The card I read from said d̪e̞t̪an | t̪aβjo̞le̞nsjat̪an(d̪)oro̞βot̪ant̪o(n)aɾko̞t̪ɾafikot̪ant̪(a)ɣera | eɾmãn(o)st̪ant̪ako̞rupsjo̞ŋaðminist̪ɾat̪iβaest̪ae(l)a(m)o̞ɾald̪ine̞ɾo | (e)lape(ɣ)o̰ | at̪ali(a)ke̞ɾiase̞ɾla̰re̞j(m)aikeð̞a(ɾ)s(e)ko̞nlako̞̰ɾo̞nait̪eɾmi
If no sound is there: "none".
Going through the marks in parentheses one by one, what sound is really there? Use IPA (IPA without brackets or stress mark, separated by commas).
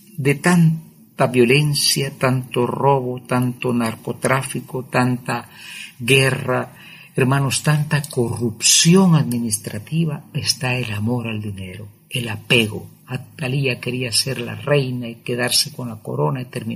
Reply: t̪, n, a, o, l, m, e, ɣ, a, n, ɾ, e